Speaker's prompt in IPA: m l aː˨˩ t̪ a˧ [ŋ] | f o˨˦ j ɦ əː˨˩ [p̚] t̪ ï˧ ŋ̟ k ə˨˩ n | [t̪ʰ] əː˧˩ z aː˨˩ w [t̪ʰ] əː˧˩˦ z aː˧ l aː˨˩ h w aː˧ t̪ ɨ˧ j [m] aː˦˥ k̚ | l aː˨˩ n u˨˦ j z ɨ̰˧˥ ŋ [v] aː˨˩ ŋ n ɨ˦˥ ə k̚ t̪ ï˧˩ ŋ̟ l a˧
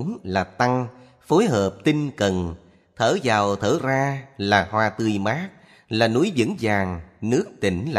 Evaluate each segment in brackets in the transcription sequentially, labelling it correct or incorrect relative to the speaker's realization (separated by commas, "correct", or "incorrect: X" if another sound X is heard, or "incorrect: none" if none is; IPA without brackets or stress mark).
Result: correct, correct, correct, correct, correct, incorrect: z